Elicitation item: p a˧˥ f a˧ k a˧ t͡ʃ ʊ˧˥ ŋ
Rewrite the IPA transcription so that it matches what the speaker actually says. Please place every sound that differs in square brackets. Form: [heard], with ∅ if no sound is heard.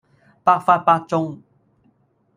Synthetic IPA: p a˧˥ f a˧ [p] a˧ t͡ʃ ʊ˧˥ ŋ